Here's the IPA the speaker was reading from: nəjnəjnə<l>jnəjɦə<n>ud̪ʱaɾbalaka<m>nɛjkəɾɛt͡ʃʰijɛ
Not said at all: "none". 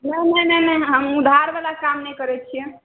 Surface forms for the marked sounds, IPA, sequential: none, m, m

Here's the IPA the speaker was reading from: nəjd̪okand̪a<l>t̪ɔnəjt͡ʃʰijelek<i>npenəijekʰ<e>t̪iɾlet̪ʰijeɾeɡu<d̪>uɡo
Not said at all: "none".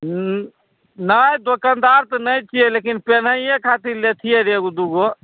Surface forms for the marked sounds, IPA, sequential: ɾ, i, a, d̪

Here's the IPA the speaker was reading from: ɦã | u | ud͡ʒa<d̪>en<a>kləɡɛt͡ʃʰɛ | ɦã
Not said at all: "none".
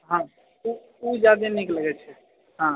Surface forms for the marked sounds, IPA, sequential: d̪, i

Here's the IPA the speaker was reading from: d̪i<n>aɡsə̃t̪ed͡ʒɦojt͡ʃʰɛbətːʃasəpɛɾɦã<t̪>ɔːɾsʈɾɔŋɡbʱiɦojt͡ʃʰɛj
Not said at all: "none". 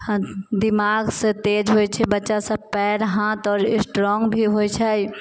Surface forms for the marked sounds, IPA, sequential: m, t̪

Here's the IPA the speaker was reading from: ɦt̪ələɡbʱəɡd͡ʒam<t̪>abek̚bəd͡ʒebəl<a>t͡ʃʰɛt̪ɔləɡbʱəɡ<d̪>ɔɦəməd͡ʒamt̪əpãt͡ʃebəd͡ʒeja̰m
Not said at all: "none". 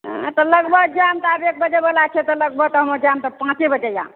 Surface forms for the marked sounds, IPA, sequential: t̪, a, t̪

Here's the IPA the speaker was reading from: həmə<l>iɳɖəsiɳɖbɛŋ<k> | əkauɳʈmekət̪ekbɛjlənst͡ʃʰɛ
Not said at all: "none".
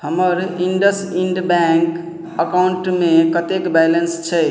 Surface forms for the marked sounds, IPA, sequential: ɾ, k

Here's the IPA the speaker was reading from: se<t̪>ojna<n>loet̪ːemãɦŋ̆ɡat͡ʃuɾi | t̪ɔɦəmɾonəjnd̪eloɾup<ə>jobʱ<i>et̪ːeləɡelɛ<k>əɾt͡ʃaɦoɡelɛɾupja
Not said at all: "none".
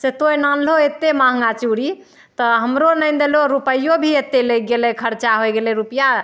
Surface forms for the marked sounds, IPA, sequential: t̪, n, ə, i, kʰ

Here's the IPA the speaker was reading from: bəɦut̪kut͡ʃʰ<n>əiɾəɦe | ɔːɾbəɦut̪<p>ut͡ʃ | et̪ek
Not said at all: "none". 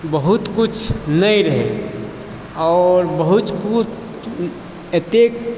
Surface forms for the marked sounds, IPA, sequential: n, k

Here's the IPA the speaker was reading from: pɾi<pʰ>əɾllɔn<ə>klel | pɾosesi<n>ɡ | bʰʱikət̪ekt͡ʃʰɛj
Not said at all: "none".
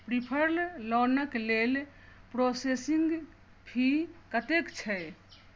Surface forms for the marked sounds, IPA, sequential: pʰ, ə, ŋ

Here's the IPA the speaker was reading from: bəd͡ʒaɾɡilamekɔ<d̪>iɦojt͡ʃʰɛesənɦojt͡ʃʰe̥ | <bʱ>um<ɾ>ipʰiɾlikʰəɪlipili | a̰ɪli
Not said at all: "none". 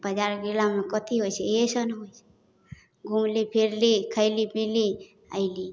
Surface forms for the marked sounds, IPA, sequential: t̪, ɡʱ, l

